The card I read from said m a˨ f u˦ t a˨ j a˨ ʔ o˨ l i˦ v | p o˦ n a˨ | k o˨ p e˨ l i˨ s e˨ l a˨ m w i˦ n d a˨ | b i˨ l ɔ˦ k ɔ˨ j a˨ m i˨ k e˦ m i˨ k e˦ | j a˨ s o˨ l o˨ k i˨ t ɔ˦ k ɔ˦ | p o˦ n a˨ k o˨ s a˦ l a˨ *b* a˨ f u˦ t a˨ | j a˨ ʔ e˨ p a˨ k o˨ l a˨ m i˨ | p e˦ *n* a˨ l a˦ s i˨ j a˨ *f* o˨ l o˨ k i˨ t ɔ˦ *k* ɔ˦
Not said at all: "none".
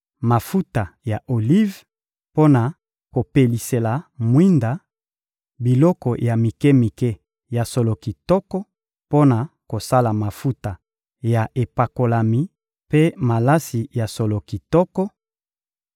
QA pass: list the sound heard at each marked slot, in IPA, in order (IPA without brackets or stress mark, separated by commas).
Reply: m, m, s, k